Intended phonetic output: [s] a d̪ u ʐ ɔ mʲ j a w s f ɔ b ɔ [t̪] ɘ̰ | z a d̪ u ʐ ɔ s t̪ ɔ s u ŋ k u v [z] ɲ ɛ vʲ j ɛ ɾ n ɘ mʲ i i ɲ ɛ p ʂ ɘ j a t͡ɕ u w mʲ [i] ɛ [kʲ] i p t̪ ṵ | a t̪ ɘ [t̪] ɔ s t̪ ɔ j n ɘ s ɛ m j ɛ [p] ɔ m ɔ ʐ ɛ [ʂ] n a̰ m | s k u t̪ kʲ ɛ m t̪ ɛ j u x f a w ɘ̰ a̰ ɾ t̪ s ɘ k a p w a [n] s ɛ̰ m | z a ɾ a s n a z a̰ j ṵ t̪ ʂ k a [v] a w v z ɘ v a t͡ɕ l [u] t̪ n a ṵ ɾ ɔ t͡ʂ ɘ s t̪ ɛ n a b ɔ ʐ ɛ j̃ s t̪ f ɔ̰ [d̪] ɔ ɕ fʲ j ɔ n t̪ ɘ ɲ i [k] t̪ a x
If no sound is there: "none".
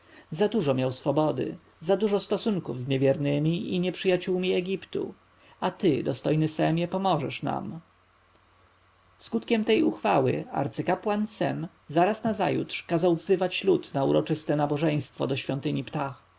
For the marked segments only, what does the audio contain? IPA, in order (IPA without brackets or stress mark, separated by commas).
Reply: z, d̪, z, i, ɡʲ, d̪, p, ʂ, n, z, u, d̪, p